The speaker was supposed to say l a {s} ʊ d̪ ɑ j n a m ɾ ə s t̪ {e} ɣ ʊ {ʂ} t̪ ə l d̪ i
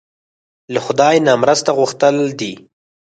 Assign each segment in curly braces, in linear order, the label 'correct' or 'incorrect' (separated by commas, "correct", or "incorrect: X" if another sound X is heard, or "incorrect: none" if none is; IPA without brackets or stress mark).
incorrect: x, incorrect: a, incorrect: x